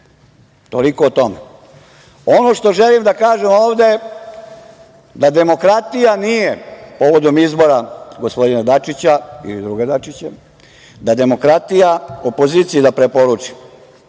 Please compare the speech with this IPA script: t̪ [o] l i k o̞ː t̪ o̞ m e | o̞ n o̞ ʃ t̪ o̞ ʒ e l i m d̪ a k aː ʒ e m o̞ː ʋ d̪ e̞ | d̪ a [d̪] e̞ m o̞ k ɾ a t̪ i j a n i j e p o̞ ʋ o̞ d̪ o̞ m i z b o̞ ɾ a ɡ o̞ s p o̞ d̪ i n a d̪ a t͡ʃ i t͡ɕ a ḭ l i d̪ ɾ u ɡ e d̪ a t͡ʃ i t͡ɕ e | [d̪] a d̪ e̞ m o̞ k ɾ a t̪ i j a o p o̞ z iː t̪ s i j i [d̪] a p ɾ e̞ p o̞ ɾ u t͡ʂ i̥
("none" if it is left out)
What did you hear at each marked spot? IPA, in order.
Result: o, d̪, d̪, d̪

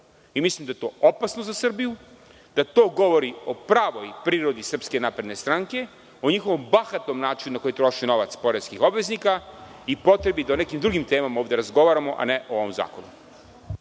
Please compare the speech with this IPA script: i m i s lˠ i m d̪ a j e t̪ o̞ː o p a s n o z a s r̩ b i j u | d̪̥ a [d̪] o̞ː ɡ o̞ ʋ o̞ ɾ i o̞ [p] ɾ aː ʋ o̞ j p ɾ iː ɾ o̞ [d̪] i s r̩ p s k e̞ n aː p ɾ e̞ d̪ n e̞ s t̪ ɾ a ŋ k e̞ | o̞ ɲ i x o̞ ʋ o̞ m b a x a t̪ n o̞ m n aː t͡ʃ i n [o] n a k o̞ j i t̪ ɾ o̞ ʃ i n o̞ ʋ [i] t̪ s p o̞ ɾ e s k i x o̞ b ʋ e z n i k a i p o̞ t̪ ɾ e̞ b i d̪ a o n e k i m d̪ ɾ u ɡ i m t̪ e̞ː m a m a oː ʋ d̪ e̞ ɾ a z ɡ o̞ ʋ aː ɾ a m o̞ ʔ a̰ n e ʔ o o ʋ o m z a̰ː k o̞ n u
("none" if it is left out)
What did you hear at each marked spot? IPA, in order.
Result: t̪, p, d̪, u, a

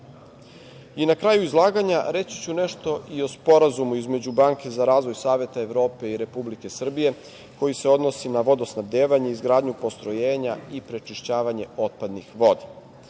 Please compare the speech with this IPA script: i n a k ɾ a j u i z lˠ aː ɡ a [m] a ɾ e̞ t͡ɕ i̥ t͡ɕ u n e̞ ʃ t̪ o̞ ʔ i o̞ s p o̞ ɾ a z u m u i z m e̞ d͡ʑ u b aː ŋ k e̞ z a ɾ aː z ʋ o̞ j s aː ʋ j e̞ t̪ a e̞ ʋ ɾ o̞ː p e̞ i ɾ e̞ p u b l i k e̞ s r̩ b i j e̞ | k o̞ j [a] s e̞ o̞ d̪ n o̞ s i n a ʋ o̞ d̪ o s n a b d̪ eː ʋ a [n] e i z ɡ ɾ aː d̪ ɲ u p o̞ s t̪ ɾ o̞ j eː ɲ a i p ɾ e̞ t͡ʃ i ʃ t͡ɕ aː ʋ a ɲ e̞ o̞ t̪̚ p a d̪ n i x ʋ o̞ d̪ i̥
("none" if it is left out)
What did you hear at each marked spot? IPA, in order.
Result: ɲ, i, ɲ

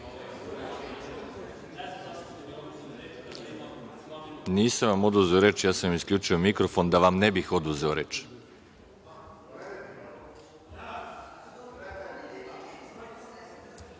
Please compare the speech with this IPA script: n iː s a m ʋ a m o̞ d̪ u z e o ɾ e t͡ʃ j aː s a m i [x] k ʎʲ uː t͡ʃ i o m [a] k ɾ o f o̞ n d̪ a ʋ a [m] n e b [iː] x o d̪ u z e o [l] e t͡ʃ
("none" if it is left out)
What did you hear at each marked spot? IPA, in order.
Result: s, i, m, i, ɾ

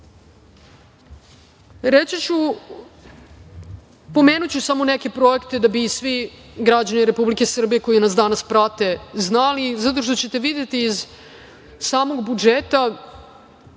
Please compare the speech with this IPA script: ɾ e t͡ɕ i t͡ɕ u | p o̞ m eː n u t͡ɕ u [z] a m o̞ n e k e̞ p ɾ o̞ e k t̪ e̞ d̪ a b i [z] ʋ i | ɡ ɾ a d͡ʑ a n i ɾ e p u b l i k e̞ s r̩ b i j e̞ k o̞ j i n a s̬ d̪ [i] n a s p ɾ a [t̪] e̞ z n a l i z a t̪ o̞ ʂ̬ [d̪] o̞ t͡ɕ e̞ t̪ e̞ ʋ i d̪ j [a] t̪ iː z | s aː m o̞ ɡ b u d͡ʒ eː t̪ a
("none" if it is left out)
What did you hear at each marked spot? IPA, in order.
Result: s, s, a, t̪, t̪, e

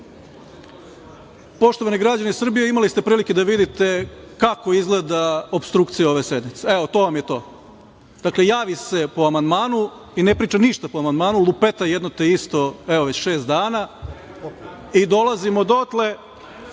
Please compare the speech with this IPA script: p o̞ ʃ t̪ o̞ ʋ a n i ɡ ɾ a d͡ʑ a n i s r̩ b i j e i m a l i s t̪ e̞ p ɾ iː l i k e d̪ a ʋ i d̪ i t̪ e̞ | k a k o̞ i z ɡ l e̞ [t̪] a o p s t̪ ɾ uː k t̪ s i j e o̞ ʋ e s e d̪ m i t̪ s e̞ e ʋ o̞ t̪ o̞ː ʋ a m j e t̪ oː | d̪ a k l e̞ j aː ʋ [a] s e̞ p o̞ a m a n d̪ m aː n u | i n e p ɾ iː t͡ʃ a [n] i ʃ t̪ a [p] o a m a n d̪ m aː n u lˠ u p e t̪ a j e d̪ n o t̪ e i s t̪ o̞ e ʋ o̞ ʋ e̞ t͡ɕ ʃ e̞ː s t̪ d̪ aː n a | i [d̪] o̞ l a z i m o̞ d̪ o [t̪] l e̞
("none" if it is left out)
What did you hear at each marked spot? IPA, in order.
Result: d̪, i, n, p, d̪, t̪

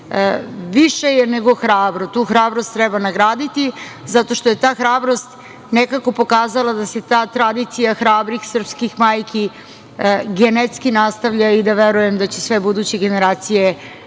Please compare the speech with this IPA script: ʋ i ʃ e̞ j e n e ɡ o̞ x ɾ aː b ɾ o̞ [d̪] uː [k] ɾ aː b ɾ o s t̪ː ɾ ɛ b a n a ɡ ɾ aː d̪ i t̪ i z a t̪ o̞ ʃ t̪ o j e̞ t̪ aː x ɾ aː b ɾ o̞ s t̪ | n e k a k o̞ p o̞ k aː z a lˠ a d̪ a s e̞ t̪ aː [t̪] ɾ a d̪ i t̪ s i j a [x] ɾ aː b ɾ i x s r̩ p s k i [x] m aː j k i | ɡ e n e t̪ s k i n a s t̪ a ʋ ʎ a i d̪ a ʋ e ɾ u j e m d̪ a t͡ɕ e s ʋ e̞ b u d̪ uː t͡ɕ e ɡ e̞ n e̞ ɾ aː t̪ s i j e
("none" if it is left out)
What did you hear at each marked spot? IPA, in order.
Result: t̪, x, t̪, x, x

